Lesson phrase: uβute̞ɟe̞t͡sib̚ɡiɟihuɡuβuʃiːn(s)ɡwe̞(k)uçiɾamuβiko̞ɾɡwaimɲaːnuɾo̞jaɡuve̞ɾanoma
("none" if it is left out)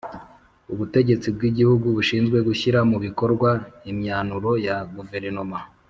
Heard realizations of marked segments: z, ɡ

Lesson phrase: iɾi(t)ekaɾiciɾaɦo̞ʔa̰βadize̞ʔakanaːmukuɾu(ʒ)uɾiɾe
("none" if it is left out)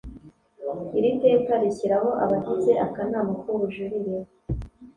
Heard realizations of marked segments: t, ʒ

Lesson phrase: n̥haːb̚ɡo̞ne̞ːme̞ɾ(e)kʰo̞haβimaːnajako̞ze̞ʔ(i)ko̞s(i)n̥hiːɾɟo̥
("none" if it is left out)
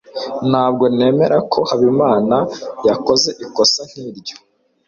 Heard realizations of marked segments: a, i, a

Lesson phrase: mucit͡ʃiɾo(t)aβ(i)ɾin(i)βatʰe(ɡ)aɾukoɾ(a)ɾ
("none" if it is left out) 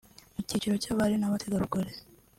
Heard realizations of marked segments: c, a, a, ɡ, e

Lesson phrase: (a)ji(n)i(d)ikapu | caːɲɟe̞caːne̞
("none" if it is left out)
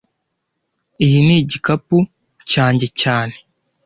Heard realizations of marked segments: i, n, ɟ

